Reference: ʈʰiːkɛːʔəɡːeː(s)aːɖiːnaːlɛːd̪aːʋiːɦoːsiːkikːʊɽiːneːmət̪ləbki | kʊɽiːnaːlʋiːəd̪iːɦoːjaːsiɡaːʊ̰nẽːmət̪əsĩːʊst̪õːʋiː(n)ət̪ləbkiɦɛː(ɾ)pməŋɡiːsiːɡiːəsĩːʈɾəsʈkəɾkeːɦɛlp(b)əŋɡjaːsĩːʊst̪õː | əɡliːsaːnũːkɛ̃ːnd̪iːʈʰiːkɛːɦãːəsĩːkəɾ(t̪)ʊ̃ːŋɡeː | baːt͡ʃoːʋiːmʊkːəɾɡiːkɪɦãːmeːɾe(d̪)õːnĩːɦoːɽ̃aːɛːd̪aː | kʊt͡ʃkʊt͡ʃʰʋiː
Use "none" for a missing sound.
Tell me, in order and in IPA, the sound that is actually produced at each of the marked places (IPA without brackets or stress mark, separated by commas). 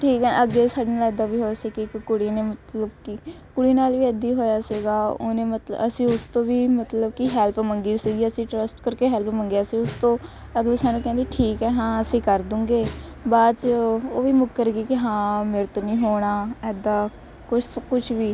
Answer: s, m, l, m, d̪, t̪